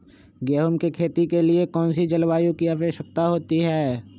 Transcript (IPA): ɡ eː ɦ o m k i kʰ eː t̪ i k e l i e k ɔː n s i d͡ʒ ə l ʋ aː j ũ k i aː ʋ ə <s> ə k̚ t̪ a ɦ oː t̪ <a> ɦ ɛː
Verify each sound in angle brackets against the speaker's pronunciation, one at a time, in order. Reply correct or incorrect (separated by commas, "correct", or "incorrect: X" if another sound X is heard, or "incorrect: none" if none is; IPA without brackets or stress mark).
incorrect: ʃ, incorrect: i